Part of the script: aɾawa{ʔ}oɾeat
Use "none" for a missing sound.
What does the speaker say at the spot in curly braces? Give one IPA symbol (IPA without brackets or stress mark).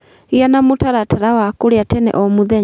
k